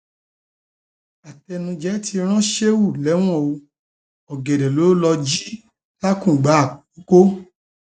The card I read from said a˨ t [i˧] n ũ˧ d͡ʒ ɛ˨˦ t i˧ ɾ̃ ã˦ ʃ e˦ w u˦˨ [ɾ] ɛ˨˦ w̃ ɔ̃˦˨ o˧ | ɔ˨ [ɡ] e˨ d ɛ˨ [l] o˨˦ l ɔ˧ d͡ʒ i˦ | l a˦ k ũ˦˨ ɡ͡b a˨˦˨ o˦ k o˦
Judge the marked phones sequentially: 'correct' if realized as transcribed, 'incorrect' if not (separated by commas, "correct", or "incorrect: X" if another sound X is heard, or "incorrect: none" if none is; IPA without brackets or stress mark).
incorrect: ɛ˧, incorrect: l, correct, correct